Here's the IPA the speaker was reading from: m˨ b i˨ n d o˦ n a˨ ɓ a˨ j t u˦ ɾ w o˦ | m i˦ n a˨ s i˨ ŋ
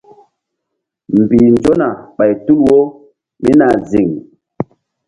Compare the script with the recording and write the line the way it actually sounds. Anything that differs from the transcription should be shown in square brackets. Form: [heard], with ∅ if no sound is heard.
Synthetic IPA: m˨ b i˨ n [d͡ʒ] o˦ n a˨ ɓ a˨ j t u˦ [l] w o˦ | m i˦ n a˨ [z] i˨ ŋ